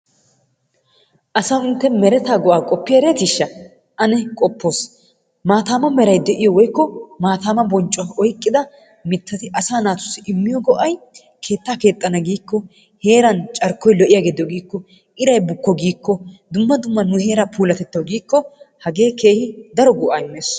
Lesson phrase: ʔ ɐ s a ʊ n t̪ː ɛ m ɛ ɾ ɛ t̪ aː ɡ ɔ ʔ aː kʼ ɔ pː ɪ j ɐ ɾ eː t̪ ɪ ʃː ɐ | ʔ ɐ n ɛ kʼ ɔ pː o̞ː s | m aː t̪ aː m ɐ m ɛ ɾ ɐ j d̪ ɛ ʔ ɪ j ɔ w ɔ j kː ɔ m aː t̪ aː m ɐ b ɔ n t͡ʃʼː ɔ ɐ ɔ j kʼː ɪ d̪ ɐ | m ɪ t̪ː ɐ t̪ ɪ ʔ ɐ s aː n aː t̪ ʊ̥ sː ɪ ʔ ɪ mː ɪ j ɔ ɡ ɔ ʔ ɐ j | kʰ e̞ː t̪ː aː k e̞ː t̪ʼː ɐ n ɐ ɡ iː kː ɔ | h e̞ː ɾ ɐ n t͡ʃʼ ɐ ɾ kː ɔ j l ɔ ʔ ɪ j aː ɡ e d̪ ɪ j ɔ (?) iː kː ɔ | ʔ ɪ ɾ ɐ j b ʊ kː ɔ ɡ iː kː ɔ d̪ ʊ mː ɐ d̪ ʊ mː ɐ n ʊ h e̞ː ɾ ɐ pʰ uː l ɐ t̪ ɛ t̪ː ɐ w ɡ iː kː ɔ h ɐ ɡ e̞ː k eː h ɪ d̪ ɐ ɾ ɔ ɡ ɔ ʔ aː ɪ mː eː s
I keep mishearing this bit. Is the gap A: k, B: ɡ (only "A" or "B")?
B